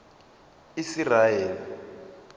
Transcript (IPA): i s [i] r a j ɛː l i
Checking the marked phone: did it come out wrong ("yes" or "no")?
no